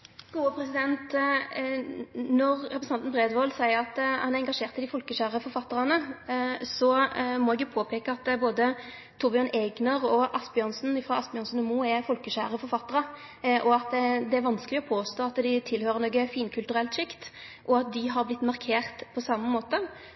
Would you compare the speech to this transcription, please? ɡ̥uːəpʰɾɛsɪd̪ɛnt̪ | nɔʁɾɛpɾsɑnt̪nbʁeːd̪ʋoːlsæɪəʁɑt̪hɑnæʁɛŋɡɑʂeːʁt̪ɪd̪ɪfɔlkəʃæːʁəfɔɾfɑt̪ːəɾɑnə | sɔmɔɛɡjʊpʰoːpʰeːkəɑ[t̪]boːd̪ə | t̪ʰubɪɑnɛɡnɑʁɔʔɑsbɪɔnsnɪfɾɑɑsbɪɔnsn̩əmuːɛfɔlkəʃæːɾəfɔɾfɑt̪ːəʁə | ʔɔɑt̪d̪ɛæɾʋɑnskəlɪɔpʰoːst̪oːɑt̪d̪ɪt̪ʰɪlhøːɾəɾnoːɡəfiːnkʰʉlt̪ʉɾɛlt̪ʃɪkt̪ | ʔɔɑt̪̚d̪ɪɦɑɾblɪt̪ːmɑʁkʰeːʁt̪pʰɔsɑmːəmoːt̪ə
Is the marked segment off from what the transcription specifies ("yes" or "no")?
no